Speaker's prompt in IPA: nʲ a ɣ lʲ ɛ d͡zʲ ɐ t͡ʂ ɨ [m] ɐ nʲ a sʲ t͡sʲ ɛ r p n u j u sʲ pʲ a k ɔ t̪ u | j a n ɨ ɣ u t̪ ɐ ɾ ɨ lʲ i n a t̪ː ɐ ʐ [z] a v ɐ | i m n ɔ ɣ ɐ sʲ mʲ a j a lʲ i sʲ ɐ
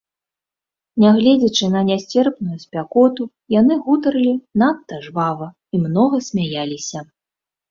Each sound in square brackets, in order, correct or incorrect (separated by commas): incorrect, incorrect